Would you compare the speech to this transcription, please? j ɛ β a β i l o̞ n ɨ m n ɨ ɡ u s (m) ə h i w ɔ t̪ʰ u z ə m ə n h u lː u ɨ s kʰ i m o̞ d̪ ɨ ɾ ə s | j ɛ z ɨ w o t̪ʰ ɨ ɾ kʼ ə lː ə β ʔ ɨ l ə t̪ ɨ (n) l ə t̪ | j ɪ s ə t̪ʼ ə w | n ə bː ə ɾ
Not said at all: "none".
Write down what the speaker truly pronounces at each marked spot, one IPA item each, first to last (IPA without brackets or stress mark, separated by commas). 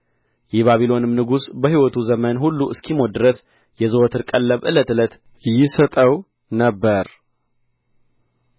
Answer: b, none